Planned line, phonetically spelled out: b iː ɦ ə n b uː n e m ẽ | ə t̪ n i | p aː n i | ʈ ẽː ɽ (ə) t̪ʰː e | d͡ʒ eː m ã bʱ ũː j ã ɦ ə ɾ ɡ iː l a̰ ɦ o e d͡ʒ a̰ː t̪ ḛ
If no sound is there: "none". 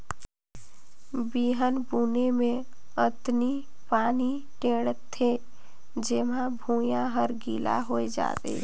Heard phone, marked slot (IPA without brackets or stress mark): ə